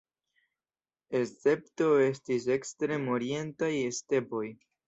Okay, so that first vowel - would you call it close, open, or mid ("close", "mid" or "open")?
mid